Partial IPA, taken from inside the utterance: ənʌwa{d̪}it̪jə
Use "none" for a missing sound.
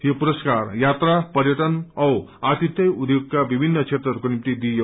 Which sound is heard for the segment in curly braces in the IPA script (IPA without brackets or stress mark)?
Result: t̪